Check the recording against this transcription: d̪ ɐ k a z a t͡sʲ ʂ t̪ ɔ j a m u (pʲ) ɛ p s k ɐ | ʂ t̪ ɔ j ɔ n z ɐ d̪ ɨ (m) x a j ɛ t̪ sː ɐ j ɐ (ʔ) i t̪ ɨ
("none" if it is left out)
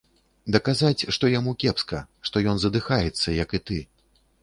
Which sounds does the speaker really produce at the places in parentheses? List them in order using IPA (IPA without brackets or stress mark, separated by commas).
kʲ, none, k